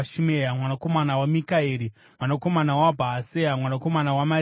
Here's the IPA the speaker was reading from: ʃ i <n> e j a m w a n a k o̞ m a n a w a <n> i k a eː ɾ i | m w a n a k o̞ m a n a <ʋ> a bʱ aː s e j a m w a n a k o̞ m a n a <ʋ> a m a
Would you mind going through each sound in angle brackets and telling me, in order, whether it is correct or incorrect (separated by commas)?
incorrect, incorrect, incorrect, incorrect